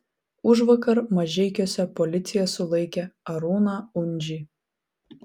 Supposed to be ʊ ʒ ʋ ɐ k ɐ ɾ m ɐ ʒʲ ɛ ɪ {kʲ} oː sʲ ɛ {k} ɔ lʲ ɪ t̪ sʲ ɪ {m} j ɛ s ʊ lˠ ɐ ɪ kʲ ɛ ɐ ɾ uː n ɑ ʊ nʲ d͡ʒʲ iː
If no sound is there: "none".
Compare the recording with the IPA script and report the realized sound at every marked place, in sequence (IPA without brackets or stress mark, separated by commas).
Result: kʲ, p, none